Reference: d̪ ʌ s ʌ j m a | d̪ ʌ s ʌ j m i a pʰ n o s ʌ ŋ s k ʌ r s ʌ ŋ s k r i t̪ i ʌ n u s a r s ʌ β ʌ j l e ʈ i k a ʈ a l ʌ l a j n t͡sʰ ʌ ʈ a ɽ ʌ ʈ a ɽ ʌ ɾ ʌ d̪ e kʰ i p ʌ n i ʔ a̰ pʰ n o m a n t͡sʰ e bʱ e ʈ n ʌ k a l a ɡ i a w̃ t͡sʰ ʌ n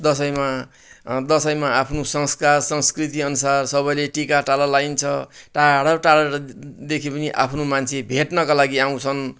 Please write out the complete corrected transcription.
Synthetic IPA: d̪ ʌ s ʌ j m a | d̪ ʌ s ʌ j m a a pʰ n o s ʌ ŋ s k a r s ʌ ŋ s k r i t̪ i ʌ n u s a r s ʌ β ʌ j l e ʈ i k a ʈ a l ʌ l a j n t͡sʰ ʌ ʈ a ɽ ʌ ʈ a ɽ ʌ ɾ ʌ d̪ e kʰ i p ʌ n i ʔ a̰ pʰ n o m a n t͡sʰ e bʱ e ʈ n ʌ k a l a ɡ i a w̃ t͡sʰ ʌ n